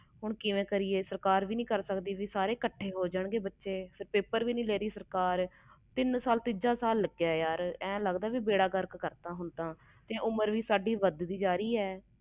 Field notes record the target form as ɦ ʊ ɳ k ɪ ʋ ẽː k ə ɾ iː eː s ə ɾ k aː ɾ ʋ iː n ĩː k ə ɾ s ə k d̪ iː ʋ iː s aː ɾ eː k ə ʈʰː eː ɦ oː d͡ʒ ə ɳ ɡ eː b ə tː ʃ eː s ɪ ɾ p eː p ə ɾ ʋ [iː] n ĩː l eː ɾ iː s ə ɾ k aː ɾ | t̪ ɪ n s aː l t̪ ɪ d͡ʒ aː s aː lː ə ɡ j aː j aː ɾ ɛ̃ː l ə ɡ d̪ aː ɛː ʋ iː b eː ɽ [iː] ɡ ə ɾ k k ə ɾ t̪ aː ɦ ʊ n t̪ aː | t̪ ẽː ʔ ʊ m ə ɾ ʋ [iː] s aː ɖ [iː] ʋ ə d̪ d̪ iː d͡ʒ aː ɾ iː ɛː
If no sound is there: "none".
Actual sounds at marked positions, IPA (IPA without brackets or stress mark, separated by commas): iː, aː, iː, iː